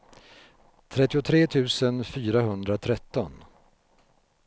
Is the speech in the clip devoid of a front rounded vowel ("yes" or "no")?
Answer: no